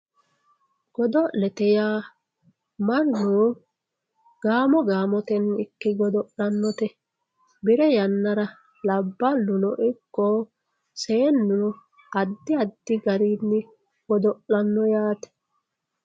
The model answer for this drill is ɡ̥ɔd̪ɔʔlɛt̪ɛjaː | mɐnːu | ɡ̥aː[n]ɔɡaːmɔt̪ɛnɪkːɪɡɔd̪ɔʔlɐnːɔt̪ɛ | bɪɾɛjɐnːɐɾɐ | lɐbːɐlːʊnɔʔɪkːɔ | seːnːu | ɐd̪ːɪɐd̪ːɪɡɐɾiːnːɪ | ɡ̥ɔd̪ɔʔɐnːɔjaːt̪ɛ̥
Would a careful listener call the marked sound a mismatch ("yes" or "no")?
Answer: yes